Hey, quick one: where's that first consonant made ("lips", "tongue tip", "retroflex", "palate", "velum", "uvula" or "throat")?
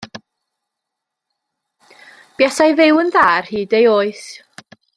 lips